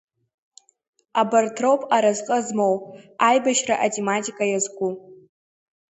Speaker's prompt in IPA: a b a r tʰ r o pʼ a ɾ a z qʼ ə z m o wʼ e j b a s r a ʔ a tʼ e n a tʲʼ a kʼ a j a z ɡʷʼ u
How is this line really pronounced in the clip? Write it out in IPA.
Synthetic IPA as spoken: a b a r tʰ r o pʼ a ɾ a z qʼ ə z m o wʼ a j b a ʃ r a ʔ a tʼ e m a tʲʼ i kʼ a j a z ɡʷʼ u